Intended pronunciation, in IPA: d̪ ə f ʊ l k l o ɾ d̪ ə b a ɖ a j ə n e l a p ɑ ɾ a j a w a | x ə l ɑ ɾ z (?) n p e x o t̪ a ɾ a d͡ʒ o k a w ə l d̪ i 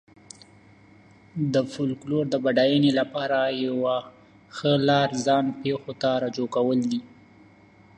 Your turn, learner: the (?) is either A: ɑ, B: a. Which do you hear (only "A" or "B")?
A